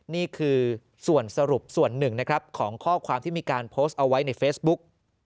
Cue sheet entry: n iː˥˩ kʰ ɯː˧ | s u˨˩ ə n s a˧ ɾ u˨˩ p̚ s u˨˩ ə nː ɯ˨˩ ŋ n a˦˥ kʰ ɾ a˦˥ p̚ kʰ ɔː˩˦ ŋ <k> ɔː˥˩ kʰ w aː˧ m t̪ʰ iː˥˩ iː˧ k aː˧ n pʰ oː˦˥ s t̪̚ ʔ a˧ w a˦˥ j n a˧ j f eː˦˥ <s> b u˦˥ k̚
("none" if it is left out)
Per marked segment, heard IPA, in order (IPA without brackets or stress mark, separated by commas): kʰ, s